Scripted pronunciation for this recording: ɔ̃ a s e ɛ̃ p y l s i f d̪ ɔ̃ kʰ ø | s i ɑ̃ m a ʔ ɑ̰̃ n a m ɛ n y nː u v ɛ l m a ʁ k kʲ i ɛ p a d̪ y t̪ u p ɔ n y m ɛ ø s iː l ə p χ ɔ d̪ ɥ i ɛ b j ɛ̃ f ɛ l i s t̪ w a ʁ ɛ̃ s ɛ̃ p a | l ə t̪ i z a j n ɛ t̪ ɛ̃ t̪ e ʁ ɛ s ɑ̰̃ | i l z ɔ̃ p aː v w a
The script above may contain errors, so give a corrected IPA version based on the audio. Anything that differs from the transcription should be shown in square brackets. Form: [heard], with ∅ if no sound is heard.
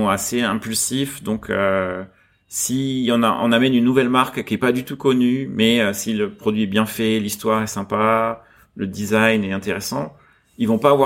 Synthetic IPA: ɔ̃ a s e ɛ̃ p y l s i f d̪ ɔ̃ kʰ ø | s i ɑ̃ [n] a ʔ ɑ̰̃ n a m ɛ n y nː u v ɛ l m a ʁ k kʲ i ɛ p a d̪ y t̪ u [k] ɔ n y m ɛ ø s [i] l ə p χ ɔ d̪ ɥ i ɛ b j ɛ̃ f ɛ l i s t̪ w a ʁ [ɛ] s ɛ̃ p a | l ə [d̪] i z a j n ɛ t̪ ɛ̃ t̪ e ʁ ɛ s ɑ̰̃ | i l [v] ɔ̃ p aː v w a